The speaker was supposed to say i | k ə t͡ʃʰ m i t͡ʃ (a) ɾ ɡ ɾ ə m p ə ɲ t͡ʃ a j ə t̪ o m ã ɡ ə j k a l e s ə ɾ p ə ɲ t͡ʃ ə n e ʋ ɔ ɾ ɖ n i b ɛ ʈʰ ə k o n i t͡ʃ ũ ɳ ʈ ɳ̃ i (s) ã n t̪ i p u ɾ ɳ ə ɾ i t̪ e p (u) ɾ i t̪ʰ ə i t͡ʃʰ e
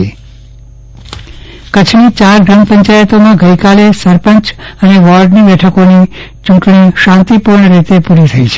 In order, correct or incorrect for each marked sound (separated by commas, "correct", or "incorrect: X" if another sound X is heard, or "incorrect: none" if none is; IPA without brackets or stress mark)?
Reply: correct, incorrect: ʃ, correct